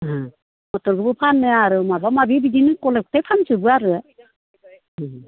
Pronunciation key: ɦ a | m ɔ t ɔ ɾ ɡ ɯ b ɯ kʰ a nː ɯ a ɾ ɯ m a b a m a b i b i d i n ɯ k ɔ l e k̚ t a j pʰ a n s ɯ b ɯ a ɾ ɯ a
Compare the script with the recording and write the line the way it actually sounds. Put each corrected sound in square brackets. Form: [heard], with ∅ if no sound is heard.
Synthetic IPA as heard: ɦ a | m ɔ t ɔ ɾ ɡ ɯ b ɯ [pʰ] a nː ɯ a ɾ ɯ m a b a m a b i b i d i n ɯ k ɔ l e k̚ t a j pʰ a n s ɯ b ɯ a ɾ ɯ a